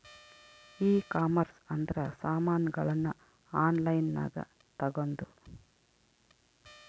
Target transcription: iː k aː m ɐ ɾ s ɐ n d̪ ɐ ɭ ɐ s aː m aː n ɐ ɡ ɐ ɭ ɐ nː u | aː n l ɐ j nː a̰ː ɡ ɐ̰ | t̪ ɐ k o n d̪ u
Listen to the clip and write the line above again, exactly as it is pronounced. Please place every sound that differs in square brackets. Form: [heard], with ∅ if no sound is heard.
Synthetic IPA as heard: iː k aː m ɐ ɾ s ɐ n d̪ ɐ [ɾ] ɐ s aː m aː n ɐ ɡ ɐ ɭ ɐ nː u | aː n l ɐ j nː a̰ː ɡ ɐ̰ | t̪ ɐ [ɡ] o n d̪ u